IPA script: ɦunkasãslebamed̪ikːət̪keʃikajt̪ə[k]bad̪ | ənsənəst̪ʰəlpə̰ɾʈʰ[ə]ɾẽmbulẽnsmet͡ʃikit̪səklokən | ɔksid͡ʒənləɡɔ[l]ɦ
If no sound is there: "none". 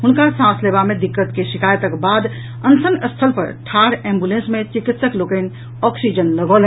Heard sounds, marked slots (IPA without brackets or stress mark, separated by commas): k, a, l